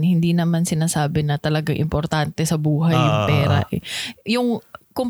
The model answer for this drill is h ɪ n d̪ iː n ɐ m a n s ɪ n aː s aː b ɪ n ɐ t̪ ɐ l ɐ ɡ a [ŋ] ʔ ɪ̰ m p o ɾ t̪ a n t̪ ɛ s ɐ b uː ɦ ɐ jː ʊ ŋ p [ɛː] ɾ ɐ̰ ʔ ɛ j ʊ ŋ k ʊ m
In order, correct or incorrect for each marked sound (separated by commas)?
correct, correct